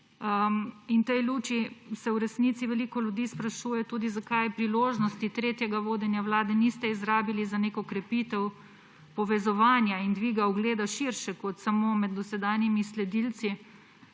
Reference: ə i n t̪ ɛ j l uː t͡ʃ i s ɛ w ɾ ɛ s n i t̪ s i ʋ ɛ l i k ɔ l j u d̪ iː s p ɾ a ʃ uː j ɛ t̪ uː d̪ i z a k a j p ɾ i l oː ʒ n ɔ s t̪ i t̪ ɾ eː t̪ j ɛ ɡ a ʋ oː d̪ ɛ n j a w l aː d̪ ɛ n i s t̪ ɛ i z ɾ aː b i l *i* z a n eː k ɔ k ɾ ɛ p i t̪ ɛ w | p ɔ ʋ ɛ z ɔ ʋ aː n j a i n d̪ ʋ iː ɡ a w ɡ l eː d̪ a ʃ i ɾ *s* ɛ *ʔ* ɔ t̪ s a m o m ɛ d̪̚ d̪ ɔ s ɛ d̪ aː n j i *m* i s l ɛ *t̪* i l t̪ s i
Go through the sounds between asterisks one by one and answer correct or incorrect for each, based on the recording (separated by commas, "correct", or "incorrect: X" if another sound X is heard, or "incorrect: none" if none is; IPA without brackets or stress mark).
correct, incorrect: ʃ, incorrect: k, correct, incorrect: d̪